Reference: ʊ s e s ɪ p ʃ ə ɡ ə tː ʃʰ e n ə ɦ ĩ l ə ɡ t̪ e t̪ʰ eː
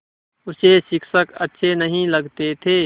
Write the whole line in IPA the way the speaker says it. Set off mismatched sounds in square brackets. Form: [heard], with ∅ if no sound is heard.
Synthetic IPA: ʊ s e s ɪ [k] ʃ ə [k] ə tː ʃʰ e n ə ɦ ĩ l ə ɡ t̪ e t̪ʰ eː